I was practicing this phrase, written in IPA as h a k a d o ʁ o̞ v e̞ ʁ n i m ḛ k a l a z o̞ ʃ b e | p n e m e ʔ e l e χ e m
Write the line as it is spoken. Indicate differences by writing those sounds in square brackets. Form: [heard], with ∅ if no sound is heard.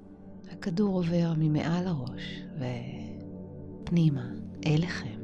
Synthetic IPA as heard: h a k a d [u] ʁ o̞ v e̞ ʁ [m] i m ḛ [ʔ] a l a [ʁ] o̞ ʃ [v] e | p n [i] m [a] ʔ e l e χ e m